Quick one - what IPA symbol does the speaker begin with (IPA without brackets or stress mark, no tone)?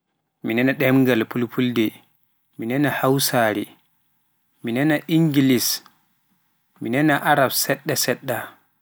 m